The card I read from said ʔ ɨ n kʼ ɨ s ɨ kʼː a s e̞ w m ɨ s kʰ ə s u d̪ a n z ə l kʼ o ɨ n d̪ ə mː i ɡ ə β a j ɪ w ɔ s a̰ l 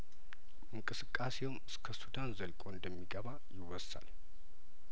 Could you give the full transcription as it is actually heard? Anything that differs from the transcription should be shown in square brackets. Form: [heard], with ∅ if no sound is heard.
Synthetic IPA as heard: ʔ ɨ [ŋ] kʼ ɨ s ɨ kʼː a s e̞ w m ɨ s kʰ ə s u d̪ a n z ə l kʼ o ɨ n d̪ ə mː i ɡ ə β a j ɪ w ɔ s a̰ l